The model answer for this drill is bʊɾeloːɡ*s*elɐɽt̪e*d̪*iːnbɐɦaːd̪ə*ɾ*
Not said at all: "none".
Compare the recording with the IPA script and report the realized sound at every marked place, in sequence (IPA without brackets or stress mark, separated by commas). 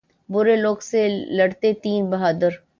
s, t̪, ɾ